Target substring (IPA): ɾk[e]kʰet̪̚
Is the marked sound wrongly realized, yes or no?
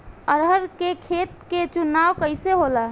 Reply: no